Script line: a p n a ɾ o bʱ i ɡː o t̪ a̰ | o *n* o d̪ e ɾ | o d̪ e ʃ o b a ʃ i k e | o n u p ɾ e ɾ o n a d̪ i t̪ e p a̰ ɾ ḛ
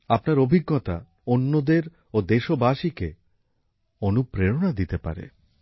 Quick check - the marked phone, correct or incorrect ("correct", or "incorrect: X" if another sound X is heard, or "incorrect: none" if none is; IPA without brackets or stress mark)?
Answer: incorrect: nː